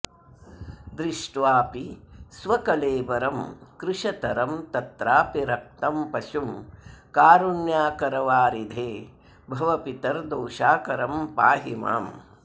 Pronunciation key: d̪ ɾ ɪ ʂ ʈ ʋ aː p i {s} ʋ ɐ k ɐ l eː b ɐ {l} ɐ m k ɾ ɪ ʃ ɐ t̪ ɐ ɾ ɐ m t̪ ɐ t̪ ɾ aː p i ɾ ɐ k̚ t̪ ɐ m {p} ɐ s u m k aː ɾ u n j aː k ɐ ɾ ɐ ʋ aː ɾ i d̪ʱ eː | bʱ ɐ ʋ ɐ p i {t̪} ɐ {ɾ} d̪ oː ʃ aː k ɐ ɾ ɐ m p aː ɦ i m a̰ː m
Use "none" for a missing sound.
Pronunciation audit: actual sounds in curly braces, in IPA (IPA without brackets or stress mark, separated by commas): s, ɾ, p, t̪, ɾ